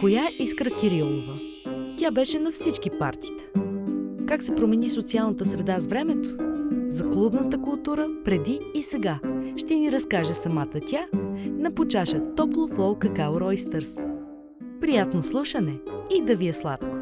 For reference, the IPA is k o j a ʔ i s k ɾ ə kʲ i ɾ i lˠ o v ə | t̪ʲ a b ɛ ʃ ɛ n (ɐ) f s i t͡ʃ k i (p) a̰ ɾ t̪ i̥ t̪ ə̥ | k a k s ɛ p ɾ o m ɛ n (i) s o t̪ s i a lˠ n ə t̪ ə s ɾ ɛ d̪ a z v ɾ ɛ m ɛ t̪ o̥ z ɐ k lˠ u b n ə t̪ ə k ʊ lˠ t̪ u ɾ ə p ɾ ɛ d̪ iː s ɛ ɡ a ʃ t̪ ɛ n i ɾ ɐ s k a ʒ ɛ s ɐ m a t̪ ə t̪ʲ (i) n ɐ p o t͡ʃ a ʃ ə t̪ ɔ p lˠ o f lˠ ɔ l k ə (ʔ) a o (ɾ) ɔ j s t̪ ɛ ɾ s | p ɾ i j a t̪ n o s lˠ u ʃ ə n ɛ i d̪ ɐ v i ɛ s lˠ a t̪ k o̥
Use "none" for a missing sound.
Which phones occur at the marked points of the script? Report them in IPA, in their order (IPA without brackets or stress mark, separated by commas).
ɐ, p, i, a, k, ɾ